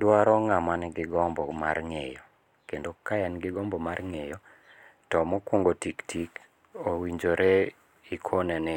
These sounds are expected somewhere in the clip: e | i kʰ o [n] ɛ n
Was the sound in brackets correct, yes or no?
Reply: yes